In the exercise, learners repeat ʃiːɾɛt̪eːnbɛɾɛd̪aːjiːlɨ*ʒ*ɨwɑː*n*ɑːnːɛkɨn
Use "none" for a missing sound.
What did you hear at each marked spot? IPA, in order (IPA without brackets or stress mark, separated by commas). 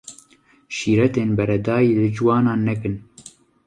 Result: d͡ʒ, n